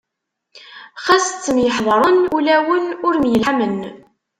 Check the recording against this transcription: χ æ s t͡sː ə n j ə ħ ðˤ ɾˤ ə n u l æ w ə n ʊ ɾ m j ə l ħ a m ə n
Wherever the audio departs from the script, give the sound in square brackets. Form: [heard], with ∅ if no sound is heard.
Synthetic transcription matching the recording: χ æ s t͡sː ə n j ə ħ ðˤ ɾˤ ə n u l æ w ə n ʊ ɾ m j ə l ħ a m ə n